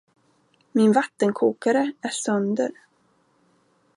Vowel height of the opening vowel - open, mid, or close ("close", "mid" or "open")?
close